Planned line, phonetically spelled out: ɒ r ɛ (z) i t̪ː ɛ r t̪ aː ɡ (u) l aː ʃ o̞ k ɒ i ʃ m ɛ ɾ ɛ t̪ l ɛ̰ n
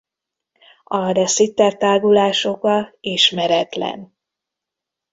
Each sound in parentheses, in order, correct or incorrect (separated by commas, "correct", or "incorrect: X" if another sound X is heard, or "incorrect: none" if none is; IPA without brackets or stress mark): incorrect: s, correct